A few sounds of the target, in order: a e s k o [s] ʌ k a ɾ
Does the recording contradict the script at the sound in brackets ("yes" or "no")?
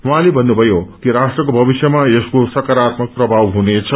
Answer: no